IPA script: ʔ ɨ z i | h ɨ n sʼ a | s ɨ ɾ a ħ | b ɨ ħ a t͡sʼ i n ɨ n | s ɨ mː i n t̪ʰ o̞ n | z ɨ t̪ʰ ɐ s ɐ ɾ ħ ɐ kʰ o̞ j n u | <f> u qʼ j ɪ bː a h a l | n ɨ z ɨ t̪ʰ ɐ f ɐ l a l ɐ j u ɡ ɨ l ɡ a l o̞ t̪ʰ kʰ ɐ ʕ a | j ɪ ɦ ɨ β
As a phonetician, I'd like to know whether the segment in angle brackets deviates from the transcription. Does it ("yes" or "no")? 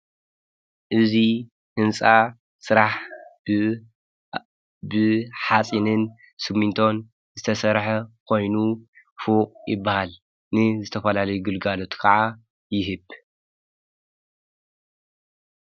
no